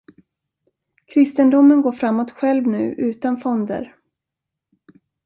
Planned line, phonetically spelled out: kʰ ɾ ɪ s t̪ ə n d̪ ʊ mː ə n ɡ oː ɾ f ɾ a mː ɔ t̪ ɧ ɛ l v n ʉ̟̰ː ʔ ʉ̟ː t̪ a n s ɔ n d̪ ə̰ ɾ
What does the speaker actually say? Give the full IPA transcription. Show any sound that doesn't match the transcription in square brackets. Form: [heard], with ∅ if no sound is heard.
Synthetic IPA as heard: kʰ ɾ ɪ s t̪ ə n d̪ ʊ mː ə n ɡ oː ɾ f ɾ a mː ɔ t̪ ɧ ɛ l v n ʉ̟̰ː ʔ ʉ̟ː t̪ a n [f] ɔ n d̪ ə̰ ɾ

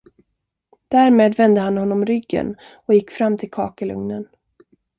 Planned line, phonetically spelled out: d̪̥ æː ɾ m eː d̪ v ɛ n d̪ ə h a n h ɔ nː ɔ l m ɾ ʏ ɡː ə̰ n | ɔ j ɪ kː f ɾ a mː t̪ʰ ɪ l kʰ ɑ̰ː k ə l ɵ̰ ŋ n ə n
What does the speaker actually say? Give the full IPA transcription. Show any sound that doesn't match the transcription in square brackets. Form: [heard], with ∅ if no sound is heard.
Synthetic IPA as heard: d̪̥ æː ɾ m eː d̪ v ɛ n d̪ ə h a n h ɔ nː ɔ [∅] m ɾ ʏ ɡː ə̰ n | ɔ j ɪ kː f ɾ a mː t̪ʰ ɪ l kʰ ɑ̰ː k ə l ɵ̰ ŋ n ə n

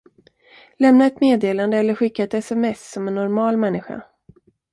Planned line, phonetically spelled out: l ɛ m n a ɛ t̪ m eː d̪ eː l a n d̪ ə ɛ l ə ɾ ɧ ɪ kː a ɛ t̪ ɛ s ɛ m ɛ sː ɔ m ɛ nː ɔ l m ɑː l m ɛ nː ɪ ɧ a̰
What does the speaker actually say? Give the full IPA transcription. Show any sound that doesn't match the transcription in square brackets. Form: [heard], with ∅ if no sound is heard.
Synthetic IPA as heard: l ɛ m n a ɛ t̪ m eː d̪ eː l a n d̪ ə ɛ [lː] ə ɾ ɧ ɪ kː a ɛ t̪ ɛ s ɛ m ɛ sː ɔ m ɛ nː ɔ [ɾ] m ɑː l m ɛ nː ɪ ɧ a̰

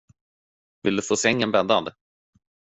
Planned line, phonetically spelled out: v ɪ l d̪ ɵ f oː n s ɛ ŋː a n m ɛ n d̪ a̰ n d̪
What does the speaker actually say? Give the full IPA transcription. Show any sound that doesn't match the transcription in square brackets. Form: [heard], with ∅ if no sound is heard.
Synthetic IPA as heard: v ɪ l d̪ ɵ f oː [∅] s ɛ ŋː [ə] n [b] ɛ n d̪ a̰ n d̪

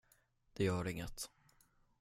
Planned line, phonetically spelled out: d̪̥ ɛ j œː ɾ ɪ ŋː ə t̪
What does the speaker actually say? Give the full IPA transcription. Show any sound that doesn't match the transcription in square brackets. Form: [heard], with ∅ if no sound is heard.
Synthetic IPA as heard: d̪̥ ɛ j œː ɾ ɪ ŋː ə t̪

